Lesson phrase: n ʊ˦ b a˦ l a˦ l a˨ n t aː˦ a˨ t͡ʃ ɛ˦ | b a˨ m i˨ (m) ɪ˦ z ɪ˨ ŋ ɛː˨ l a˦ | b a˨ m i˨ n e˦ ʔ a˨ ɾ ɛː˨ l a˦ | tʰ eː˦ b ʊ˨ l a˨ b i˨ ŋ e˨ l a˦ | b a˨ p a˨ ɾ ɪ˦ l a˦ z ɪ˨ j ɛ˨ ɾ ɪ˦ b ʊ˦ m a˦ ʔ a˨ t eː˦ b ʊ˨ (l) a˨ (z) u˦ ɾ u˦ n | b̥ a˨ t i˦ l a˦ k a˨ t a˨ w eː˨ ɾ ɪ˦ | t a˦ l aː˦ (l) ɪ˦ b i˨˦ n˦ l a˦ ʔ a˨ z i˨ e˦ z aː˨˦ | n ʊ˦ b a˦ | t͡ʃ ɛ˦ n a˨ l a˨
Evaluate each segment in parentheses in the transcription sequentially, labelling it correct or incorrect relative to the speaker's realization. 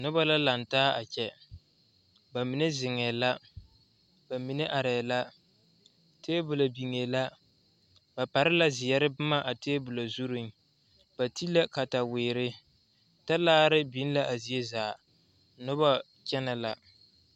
incorrect: n, correct, correct, incorrect: ɾ

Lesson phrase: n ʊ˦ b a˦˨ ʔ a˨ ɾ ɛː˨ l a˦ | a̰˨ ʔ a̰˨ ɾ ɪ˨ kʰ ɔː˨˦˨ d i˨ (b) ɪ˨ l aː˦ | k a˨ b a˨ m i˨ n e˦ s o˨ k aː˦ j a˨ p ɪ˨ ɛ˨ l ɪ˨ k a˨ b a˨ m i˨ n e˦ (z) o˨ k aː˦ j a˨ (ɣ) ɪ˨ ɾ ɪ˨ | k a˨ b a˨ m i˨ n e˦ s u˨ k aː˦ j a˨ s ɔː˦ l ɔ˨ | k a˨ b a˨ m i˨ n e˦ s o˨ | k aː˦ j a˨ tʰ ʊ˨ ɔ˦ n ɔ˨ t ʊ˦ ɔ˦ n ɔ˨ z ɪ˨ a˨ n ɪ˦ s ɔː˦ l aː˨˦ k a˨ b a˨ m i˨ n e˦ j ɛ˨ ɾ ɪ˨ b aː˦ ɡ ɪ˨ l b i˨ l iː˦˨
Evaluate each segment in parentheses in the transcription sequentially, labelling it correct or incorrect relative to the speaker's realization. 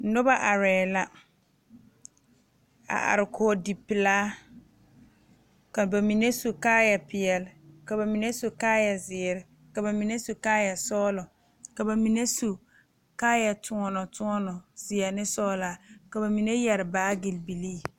incorrect: p, incorrect: s, incorrect: z

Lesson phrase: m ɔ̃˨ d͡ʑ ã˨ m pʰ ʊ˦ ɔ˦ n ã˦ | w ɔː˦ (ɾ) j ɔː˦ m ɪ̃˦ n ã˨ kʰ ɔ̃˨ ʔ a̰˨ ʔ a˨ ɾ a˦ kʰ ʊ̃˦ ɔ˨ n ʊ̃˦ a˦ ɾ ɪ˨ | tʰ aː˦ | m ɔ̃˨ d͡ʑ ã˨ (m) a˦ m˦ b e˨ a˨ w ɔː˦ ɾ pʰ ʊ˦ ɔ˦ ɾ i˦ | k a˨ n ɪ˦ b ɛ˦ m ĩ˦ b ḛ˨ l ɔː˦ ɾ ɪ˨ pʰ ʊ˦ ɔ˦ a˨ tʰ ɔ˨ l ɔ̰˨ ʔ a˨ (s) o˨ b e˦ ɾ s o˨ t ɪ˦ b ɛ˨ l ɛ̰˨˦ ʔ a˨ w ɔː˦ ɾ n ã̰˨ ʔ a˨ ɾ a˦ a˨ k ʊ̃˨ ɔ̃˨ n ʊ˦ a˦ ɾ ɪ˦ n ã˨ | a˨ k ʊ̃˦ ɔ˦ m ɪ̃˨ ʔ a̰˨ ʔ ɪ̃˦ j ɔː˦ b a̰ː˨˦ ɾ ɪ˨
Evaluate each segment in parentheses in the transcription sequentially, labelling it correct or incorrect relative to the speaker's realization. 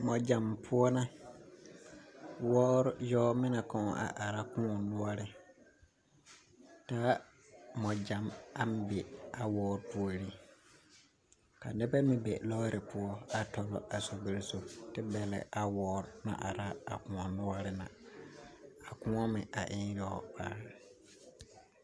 correct, correct, correct

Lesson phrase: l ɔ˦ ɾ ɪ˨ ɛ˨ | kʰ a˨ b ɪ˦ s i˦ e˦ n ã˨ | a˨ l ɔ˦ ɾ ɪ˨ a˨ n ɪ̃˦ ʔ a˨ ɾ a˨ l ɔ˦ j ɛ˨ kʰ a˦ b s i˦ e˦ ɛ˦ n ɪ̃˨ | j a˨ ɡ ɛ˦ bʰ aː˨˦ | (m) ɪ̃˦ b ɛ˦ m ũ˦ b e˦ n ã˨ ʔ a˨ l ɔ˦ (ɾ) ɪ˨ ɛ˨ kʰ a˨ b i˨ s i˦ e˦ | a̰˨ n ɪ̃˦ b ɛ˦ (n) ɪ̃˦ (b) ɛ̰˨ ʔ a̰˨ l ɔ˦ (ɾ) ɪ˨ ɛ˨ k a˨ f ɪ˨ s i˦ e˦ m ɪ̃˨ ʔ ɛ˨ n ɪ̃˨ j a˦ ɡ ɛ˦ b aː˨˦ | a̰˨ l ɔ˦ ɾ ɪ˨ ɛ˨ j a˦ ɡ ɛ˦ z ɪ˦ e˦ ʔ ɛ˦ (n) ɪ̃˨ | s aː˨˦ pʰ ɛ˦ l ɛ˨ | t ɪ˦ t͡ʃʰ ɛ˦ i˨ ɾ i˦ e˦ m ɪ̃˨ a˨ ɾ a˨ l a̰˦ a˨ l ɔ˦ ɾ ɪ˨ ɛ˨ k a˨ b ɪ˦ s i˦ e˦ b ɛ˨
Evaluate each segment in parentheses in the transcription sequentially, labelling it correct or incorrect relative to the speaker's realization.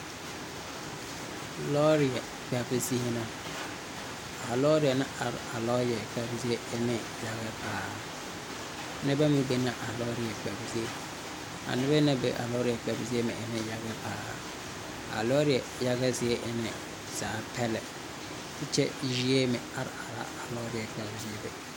incorrect: n, correct, correct, correct, correct, correct

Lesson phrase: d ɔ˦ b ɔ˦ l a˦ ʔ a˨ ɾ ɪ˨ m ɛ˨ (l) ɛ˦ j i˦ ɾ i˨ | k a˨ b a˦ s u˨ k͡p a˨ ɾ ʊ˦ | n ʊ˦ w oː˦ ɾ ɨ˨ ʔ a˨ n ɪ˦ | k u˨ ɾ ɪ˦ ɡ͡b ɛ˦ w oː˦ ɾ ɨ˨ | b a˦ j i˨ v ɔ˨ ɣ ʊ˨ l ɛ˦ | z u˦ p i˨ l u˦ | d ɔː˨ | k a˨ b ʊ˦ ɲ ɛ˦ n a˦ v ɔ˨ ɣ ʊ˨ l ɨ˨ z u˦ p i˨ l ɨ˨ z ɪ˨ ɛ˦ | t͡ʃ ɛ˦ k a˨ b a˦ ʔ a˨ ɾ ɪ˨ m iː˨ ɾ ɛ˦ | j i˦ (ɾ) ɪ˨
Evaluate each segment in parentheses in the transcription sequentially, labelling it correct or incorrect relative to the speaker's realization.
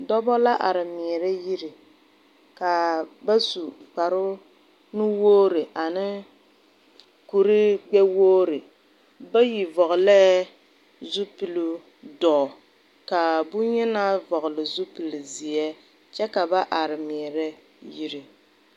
incorrect: ɾ, correct

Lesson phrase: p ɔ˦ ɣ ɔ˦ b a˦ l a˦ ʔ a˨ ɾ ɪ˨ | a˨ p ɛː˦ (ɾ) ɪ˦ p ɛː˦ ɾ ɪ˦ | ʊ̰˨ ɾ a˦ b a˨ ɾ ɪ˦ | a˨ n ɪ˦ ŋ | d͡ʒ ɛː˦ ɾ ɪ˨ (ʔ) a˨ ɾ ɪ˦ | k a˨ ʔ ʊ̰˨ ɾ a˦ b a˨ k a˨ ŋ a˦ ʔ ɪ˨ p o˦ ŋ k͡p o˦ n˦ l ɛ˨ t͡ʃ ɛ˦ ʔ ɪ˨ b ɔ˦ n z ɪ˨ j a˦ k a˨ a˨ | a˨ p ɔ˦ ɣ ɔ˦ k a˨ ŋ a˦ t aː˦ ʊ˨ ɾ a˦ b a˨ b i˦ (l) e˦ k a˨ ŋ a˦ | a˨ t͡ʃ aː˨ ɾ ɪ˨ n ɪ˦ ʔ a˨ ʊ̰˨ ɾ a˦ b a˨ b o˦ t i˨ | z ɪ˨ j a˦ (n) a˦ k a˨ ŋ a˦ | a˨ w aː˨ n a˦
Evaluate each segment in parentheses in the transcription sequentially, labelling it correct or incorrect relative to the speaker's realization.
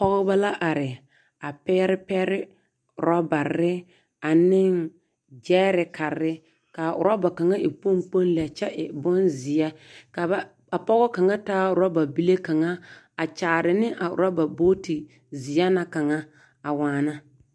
correct, incorrect: k, correct, correct

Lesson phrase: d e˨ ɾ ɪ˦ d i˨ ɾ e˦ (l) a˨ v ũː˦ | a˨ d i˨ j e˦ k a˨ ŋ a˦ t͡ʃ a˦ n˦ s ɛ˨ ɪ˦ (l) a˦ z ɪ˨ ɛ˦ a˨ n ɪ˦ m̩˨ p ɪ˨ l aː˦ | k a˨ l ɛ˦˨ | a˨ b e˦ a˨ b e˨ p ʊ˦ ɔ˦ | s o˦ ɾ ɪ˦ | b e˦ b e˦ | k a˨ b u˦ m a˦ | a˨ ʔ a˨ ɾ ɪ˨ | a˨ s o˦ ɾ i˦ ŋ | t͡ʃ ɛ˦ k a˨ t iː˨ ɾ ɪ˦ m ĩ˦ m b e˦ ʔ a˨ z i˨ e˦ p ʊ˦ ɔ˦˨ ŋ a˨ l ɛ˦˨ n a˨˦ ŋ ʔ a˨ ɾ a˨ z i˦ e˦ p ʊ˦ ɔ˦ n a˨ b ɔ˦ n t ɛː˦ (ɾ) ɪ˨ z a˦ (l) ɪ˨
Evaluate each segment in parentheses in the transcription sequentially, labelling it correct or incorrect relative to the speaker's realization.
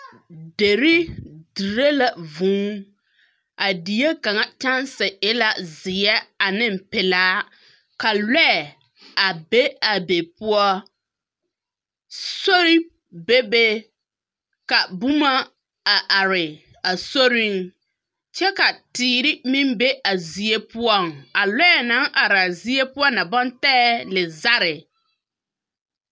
correct, correct, incorrect: l, incorrect: ɾ

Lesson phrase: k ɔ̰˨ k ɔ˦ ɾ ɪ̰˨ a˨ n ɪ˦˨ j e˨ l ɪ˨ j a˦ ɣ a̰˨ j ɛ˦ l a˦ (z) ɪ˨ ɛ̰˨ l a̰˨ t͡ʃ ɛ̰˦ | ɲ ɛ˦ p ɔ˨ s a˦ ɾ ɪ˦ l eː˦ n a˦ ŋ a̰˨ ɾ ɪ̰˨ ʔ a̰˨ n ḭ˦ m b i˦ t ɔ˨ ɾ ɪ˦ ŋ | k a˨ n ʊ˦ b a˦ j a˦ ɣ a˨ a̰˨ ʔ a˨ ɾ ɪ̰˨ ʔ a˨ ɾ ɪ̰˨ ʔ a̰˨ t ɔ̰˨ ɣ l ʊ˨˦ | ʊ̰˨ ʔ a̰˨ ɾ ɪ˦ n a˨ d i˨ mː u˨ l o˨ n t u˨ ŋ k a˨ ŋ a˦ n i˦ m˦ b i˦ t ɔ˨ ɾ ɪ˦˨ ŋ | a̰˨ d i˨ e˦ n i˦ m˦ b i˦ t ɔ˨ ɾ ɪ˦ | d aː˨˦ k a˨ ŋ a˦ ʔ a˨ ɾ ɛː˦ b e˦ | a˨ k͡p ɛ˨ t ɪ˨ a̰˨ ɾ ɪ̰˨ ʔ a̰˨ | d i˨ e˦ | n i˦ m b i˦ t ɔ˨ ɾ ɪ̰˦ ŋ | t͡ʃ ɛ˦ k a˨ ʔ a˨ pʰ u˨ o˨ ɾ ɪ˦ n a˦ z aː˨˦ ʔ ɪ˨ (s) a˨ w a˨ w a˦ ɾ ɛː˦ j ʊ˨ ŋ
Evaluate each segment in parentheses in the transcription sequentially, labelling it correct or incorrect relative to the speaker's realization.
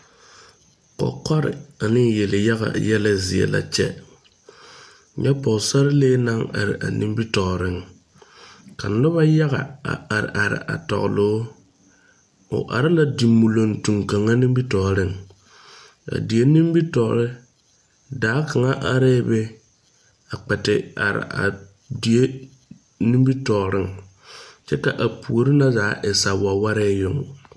correct, correct

